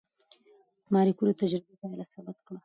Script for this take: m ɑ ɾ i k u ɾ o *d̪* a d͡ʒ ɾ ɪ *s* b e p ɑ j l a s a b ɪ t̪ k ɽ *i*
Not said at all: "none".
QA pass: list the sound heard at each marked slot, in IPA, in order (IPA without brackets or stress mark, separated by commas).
t̪, none, a